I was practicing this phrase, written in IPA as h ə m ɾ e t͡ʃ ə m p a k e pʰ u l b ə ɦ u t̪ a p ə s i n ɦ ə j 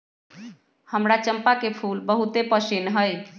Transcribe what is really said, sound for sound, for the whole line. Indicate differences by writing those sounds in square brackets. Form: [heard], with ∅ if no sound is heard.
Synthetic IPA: h ə m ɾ [a] t͡ʃ ə m p a k e pʰ u l b ə ɦ u t̪ [e] p ə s i n ɦ ə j